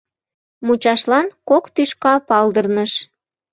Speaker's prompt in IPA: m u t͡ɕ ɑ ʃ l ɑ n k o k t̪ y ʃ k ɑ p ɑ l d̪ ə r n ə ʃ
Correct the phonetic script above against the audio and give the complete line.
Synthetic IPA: m u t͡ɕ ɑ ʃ l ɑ n k o k t̪ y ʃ k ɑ p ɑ l d̪ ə r n ə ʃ